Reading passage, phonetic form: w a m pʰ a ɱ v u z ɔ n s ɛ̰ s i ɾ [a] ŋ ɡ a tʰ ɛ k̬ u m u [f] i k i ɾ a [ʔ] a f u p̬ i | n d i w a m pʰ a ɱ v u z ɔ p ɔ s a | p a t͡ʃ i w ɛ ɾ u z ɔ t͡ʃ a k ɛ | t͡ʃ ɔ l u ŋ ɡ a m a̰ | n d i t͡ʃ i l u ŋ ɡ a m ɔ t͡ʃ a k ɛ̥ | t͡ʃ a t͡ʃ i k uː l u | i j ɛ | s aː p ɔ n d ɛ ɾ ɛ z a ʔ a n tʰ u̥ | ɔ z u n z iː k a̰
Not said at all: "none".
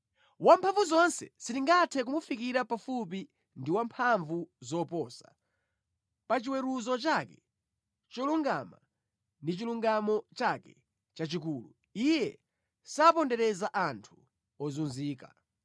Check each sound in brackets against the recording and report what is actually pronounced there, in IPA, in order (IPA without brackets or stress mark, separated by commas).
i, f, p